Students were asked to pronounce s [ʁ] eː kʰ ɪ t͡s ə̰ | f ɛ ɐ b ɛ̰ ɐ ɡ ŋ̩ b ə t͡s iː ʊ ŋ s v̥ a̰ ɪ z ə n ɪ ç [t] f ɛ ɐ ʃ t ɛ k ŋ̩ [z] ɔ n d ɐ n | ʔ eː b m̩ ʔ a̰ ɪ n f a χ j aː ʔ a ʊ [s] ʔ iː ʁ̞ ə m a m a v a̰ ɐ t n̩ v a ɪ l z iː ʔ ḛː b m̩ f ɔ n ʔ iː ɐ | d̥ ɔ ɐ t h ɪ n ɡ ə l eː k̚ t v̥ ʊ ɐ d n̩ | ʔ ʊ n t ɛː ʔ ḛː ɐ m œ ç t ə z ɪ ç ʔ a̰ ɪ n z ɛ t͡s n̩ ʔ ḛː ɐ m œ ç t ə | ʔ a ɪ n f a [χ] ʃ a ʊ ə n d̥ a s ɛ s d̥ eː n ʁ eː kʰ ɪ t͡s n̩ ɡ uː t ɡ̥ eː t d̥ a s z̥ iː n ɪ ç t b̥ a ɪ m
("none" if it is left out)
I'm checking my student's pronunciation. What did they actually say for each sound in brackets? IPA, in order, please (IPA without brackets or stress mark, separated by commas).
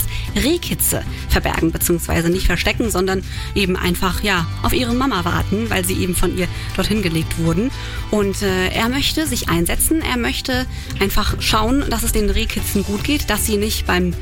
ʁ, t, z, f, χ